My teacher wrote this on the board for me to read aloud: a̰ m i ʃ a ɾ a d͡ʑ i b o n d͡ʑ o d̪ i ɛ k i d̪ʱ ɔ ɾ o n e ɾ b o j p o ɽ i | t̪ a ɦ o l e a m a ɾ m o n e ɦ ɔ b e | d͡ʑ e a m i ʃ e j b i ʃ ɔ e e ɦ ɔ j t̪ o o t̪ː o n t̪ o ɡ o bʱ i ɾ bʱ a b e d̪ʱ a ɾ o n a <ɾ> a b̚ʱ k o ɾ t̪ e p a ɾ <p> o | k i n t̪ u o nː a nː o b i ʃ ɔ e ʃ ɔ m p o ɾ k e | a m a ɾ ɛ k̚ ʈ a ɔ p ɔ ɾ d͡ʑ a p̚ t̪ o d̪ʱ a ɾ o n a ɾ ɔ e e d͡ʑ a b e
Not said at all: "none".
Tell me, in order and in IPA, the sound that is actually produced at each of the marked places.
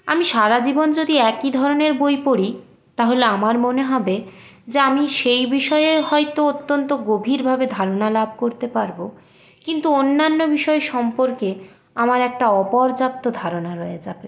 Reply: l, b

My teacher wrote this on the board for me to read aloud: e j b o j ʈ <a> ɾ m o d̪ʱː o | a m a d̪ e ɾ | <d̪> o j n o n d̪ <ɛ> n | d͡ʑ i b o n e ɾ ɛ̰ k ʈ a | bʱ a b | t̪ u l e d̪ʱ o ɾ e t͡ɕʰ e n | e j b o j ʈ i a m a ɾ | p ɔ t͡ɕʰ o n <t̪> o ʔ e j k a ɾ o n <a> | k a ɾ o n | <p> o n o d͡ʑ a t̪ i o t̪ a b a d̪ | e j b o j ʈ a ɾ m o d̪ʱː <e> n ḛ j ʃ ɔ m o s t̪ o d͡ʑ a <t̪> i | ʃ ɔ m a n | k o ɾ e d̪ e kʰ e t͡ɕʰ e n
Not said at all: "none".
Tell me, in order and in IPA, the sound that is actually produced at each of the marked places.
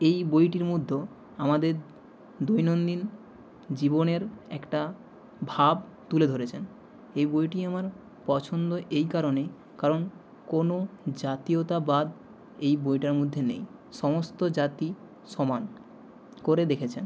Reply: i, d̪, i, d̪, e, k, e, t̪

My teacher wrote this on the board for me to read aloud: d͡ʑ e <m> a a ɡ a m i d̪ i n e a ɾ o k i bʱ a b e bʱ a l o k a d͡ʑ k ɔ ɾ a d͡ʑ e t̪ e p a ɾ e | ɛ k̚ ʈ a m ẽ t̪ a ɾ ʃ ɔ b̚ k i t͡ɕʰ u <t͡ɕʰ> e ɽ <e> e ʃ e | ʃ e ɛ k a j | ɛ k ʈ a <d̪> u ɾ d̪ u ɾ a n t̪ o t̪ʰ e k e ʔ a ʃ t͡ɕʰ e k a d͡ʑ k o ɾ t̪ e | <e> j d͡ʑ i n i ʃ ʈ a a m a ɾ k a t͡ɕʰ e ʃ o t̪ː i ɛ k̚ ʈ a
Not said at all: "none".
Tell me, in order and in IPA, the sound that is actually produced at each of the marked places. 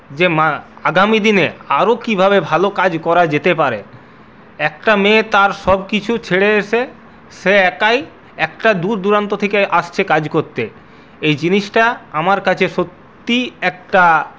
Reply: m, t͡ɕʰ, e, d̪, e

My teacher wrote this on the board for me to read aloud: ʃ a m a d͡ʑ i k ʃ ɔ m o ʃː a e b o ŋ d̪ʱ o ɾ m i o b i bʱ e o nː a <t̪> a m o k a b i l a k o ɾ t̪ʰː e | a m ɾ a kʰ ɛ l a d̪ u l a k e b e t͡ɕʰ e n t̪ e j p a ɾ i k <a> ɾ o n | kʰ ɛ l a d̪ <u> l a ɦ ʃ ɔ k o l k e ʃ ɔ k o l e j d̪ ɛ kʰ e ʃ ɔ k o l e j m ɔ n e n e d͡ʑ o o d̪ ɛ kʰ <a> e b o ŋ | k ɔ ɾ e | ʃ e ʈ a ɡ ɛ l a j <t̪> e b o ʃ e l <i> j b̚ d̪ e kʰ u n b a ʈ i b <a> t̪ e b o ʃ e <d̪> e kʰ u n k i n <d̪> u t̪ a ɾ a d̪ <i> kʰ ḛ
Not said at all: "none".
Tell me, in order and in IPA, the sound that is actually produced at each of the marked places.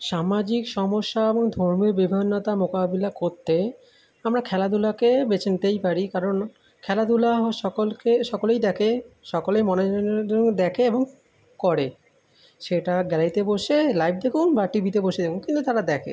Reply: t̪, a, u, e, t̪, a, i, d̪, t̪, ɛ

